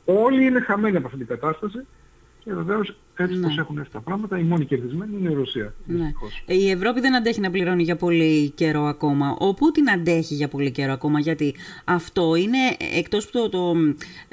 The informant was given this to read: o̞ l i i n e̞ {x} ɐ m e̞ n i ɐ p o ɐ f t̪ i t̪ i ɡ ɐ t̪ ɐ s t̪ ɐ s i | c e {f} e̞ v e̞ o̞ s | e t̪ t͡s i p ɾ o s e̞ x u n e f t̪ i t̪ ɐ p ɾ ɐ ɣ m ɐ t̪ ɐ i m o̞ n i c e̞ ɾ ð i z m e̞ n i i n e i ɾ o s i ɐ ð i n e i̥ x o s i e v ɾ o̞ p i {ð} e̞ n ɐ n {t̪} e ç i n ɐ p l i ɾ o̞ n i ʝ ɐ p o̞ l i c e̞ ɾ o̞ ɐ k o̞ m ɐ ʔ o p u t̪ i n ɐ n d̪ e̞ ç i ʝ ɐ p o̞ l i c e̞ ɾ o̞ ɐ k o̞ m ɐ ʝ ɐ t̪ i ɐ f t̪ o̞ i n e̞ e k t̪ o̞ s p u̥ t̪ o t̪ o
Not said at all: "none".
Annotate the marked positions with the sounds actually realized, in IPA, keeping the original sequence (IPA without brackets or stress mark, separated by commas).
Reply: x, v, ð, d̪